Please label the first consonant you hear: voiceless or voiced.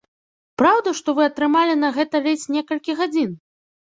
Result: voiceless